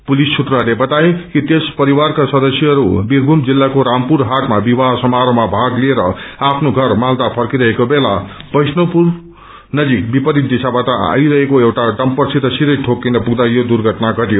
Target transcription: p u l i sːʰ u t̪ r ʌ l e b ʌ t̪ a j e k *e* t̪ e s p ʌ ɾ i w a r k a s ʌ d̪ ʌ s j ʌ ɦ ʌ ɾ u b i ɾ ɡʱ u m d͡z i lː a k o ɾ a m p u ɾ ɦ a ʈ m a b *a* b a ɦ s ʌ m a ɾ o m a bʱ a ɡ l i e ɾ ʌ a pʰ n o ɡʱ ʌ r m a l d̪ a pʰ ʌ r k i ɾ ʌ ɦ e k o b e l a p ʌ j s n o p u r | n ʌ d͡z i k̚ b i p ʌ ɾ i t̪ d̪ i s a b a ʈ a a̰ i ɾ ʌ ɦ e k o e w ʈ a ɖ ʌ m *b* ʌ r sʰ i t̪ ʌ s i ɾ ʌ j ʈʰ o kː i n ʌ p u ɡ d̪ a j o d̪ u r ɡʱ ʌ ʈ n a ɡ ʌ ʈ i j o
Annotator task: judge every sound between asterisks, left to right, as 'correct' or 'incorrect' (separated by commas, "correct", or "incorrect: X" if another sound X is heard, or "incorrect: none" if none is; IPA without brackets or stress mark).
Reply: incorrect: i, incorrect: i, incorrect: p